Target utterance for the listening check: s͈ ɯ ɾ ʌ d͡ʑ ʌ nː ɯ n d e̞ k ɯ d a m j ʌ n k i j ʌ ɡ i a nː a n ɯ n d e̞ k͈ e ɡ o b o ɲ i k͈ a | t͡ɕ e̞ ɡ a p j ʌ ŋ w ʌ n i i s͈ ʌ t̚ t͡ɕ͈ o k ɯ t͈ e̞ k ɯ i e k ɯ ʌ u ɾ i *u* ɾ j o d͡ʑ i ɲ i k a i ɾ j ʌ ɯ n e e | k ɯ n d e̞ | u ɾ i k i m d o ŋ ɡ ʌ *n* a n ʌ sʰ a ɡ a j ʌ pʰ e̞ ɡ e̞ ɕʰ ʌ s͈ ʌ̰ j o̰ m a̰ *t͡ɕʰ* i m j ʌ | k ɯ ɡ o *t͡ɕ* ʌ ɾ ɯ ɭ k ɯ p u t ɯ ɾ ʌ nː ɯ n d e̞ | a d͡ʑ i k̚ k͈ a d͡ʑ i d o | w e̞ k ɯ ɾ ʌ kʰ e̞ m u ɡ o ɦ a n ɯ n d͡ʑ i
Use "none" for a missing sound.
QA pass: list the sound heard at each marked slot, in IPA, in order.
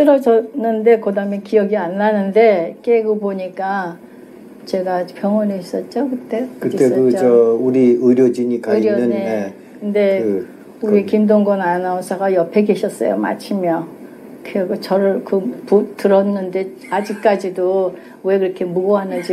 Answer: ɯ, n, t͡ɕʰ, t͡ɕ

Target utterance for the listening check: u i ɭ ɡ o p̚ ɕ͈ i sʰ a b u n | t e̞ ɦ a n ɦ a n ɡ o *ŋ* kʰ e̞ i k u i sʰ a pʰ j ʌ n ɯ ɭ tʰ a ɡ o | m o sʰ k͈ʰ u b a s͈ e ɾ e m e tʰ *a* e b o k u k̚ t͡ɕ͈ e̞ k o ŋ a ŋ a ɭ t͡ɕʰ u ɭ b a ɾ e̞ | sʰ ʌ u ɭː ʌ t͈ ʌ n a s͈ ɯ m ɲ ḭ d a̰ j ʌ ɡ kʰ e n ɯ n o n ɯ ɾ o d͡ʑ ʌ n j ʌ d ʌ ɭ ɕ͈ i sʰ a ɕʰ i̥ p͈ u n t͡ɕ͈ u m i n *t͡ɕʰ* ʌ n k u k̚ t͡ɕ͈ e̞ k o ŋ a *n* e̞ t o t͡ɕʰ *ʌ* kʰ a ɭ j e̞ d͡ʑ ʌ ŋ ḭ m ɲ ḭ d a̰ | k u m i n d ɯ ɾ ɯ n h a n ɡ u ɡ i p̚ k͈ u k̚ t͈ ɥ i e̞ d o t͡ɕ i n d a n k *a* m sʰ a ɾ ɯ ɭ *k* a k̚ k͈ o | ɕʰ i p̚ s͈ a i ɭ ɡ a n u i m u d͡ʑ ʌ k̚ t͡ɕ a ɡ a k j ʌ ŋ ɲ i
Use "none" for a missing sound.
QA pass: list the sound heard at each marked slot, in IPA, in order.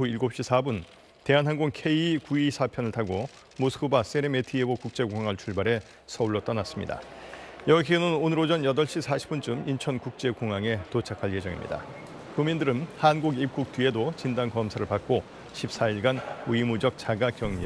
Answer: ŋ, i, t͡ɕʰ, ŋ, a, ʌ, p

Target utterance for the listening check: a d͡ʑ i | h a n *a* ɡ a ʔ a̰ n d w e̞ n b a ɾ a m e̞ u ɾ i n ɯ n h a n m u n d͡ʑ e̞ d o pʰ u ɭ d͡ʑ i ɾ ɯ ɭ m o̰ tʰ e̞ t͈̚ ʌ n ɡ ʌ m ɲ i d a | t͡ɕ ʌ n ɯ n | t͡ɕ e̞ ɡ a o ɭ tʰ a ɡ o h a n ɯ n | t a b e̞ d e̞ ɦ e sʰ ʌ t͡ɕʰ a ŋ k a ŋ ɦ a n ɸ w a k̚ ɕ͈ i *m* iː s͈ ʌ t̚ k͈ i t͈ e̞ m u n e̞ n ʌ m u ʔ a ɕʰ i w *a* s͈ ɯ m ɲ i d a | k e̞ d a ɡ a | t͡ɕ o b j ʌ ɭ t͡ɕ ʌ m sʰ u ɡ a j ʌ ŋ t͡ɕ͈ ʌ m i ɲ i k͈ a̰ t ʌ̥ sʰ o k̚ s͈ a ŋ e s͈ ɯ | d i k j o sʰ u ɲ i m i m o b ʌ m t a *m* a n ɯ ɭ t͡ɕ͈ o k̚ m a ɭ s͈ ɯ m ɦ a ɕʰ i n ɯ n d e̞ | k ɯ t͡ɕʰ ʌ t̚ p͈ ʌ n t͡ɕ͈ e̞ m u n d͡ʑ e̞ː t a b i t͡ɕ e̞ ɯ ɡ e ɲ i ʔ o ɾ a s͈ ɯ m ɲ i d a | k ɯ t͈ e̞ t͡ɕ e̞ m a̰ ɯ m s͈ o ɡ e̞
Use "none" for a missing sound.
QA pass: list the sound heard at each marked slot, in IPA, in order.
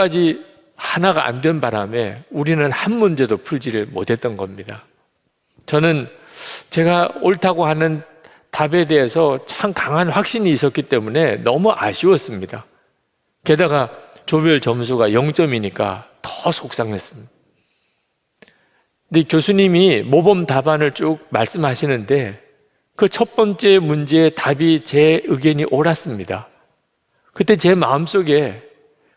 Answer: a, ɲ, ʌ, b

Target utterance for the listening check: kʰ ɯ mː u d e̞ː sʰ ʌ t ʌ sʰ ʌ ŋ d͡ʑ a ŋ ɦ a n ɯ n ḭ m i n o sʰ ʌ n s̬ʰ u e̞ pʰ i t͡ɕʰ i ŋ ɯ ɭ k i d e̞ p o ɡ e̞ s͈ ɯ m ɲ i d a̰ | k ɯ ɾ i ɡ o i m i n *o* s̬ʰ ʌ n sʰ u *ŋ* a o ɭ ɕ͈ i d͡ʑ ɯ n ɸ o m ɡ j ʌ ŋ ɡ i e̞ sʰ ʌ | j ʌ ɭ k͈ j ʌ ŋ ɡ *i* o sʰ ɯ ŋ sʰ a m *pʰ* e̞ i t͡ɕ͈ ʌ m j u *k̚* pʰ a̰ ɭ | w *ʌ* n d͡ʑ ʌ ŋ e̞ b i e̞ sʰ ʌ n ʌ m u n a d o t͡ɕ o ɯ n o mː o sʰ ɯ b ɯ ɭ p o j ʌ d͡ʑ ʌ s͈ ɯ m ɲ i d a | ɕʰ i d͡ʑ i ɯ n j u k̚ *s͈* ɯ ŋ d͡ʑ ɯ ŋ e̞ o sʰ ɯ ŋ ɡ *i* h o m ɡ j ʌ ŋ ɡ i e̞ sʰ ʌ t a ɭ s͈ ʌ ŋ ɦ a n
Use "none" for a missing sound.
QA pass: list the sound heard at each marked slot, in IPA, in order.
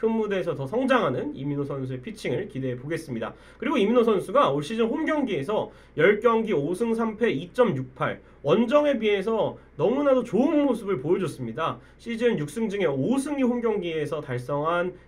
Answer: o, ɡ, i, pʰ, k̚, ʌ, s͈, i

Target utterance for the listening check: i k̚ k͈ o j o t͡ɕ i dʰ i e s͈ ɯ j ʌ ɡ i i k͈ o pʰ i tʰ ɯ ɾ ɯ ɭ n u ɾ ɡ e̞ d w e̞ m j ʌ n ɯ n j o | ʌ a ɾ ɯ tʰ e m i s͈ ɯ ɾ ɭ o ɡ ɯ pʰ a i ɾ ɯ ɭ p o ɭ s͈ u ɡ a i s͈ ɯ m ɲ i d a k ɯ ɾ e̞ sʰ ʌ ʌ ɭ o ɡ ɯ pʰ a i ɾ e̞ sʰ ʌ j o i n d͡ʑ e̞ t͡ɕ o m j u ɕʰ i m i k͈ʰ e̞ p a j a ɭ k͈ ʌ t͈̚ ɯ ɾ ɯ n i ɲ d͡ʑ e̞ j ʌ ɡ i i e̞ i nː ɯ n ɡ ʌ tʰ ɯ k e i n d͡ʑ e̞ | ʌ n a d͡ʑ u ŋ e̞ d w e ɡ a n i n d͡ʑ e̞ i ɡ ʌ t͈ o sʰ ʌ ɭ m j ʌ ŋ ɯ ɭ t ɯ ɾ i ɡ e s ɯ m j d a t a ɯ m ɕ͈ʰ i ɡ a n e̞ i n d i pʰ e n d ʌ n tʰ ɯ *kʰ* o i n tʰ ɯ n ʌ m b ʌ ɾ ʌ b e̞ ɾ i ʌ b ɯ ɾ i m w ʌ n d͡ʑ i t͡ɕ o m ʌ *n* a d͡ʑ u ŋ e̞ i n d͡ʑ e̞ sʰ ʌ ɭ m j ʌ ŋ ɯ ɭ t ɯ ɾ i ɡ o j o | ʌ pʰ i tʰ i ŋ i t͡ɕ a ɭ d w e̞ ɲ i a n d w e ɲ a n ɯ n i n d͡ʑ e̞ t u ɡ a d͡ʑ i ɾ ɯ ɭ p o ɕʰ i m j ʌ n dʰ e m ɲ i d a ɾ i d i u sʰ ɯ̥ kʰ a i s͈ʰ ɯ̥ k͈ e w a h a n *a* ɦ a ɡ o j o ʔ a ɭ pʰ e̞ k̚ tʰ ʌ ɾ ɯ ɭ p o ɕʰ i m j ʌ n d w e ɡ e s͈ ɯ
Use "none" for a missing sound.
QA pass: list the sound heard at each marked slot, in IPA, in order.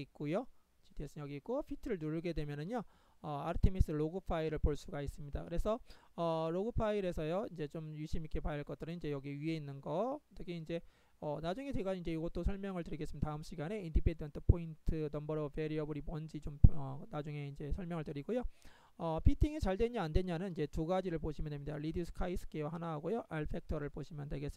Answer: pʰ, n, a

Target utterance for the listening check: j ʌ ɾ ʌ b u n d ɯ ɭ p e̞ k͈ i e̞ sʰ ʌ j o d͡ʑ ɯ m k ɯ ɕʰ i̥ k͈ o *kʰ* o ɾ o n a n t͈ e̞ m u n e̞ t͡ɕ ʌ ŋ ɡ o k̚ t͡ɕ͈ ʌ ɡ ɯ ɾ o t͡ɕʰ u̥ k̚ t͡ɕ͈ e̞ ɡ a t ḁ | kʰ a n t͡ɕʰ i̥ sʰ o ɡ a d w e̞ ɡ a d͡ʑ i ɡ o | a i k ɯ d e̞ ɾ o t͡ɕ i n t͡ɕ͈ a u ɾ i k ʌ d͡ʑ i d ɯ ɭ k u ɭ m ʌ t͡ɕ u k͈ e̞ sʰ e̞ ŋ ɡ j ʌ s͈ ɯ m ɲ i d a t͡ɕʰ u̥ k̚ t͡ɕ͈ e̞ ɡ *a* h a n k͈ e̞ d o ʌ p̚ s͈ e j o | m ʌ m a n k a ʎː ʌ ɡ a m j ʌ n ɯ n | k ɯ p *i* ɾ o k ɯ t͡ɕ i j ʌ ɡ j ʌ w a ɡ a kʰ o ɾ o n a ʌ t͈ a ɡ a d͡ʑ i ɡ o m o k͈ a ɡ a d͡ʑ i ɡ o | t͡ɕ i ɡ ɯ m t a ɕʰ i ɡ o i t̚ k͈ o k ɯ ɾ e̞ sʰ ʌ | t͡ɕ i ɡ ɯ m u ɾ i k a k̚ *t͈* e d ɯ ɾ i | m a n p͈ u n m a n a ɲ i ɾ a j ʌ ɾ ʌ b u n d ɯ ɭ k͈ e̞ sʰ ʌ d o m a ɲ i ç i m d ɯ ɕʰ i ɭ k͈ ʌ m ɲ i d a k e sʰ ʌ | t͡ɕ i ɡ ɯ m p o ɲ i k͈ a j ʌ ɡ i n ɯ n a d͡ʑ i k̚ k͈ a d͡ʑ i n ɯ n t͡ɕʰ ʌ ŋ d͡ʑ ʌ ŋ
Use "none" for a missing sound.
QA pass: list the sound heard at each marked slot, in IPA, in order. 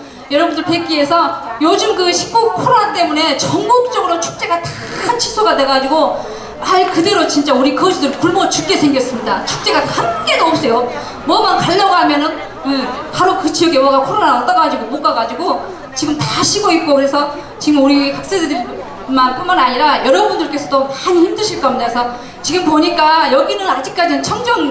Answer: kʰ, a, a, s͈

